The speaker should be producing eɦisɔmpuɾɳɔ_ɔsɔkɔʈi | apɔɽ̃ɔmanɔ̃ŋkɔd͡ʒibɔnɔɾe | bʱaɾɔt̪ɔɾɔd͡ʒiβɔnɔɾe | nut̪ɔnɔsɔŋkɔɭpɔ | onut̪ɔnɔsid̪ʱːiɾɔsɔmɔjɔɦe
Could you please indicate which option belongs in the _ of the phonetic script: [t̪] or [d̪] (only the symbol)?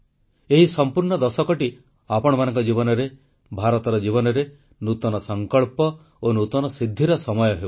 d̪